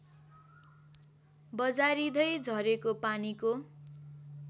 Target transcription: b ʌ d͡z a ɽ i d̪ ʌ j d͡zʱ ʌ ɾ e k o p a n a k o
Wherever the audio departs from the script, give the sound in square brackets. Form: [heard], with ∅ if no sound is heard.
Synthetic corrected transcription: b ʌ d͡z a [ɾ] i d̪ ʌ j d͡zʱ ʌ ɾ e k o p a n [i] k o